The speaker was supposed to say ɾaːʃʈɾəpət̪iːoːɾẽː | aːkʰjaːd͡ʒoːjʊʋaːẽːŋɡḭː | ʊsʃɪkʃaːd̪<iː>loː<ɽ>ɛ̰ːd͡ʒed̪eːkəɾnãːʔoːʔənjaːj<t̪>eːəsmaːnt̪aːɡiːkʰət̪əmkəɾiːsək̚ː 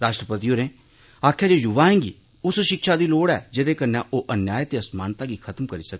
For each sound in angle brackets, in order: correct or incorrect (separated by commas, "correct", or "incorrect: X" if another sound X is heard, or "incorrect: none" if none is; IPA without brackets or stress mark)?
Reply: correct, correct, correct